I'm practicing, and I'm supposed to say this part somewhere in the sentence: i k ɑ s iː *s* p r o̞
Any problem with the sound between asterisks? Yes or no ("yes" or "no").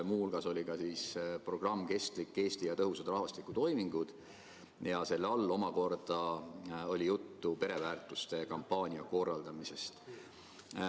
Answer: no